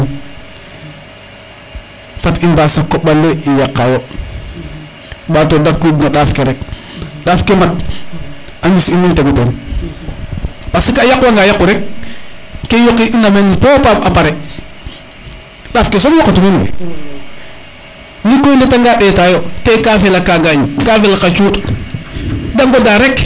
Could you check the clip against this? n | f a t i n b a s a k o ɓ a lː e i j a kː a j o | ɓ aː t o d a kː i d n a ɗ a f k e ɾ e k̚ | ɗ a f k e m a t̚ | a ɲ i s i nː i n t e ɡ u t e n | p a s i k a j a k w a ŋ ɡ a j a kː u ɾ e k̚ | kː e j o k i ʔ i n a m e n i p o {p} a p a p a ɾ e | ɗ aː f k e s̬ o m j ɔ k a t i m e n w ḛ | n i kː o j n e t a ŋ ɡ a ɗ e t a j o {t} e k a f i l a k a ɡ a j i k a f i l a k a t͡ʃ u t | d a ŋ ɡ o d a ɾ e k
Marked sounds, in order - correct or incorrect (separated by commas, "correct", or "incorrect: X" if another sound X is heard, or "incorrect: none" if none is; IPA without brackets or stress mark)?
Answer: correct, correct